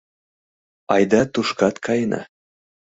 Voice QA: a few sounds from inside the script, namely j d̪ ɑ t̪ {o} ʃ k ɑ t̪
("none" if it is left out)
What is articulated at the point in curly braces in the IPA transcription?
u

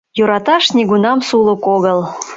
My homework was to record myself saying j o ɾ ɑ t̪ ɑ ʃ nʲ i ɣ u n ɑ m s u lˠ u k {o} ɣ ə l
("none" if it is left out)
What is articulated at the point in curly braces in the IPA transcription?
o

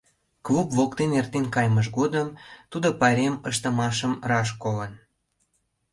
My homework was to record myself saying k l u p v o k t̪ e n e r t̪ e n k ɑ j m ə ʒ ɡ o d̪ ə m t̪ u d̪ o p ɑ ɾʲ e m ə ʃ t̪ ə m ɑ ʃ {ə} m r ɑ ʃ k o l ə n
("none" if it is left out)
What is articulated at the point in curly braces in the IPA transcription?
ə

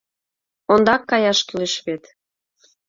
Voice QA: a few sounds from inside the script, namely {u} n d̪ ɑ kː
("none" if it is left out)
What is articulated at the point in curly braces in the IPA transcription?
o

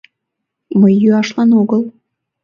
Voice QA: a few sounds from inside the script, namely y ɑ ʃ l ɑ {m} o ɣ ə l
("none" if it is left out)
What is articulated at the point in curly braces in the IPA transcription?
n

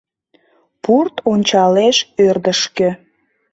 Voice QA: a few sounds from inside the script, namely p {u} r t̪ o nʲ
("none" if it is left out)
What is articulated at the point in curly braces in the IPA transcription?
u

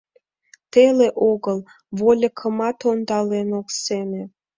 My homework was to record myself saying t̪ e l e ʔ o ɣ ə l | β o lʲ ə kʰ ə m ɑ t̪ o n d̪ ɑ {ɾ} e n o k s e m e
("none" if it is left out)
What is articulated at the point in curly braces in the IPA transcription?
l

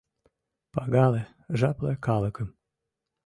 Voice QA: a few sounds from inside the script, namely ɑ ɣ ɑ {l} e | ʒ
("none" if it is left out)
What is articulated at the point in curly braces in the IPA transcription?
l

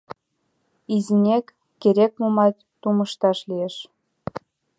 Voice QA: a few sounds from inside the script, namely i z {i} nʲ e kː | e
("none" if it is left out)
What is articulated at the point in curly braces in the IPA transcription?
i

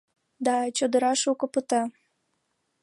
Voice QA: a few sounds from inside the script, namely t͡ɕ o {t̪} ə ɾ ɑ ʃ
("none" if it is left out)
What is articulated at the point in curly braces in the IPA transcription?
d̪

